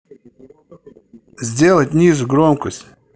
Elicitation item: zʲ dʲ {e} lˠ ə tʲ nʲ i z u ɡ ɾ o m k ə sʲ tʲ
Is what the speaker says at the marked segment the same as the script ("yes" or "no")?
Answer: yes